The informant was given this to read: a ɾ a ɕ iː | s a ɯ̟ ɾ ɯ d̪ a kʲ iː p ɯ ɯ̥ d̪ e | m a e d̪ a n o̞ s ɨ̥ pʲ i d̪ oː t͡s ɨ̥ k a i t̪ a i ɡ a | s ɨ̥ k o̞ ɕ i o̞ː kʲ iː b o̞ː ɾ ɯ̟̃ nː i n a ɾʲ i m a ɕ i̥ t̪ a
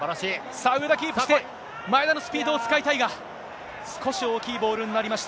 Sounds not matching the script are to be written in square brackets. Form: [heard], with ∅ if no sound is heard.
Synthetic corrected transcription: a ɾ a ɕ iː | s a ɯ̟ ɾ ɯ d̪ a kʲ iː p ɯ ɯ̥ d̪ e | m a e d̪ a n o̞ s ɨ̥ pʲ [iː] d̪ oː t͡s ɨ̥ k a i t̪ a i ɡ a | s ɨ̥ k o̞ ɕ i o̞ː kʲ iː b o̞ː ɾ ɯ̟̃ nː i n a ɾʲ i m a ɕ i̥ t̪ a